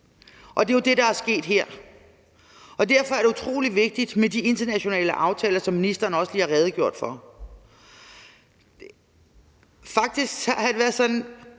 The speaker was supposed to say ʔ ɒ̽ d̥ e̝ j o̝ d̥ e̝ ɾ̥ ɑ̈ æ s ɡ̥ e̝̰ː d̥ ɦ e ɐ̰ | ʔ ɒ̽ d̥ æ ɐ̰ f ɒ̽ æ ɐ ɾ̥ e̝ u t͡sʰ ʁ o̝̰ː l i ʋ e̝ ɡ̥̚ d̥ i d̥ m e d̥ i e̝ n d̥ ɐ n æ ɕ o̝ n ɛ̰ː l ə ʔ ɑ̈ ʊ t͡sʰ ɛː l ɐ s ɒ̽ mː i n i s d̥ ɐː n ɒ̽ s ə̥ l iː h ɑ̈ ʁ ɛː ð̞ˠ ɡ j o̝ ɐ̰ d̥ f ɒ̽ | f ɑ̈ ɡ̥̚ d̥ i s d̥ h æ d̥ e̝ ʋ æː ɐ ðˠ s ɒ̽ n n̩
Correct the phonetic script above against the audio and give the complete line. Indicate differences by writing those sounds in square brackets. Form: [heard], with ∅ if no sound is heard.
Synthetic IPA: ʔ ɒ̽ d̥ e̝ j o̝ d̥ e̝ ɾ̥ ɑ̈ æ s ɡ̥ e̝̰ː d̥ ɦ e ɐ̰ | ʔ ɒ̽ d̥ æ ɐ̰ f ɒ̽ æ ɐ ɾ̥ e̝ u t͡sʰ ʁ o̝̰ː l i ʋ e̝ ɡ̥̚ d̥ i d̥ m e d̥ i e̝ n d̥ ɐ n æ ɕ o̝ n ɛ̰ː l ə ʔ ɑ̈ ʊ t͡sʰ ɛː l ɐ s ɒ̽ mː i n i s d̥ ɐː n ɒ̽ s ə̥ l iː h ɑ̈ ʁ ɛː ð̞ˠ ɡ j o̝ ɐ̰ d̥ f ɒ̽ | f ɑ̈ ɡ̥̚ d̥ i s [ɡ̥] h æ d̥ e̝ ʋ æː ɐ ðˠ s ɒ̽ n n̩